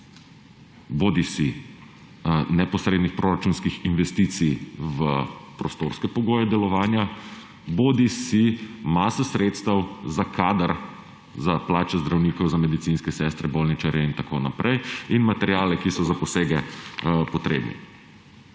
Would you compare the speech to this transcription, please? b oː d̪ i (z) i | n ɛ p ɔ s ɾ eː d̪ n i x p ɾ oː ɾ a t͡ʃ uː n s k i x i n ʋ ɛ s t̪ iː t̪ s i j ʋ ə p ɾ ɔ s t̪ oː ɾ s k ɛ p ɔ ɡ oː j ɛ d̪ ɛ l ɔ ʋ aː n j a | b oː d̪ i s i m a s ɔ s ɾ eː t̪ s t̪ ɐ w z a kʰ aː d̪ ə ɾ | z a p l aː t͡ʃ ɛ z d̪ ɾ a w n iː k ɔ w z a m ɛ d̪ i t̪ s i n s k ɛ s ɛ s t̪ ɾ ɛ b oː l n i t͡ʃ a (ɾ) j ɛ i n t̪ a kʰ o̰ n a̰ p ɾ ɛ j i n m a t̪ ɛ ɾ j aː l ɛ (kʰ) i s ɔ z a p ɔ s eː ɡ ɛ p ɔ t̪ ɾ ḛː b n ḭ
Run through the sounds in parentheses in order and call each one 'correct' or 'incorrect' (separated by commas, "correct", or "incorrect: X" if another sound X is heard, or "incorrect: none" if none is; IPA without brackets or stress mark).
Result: incorrect: s, correct, incorrect: k